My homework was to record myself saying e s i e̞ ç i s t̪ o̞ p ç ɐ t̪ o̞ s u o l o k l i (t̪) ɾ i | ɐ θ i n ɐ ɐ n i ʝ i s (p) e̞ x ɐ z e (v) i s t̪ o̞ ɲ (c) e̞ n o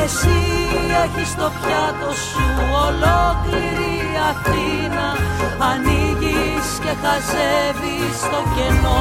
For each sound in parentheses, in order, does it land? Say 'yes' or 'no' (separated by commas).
no, no, yes, no